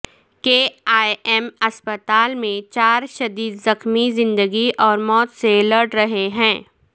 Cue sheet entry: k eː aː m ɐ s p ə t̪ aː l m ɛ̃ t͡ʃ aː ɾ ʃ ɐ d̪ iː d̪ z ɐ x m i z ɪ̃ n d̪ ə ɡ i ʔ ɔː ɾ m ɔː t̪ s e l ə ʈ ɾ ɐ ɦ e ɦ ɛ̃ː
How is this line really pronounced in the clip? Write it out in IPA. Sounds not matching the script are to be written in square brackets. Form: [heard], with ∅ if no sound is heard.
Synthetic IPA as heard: k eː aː m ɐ s p ə t̪ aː l m [ẽ] t͡ʃ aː ɾ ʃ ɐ d̪ iː d̪ z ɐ x m i z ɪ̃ n d̪ ə ɡ i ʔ ɔː ɾ m ɔː t̪ s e l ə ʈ ɾ ɐ ɦ e ɦ ɛ̃ː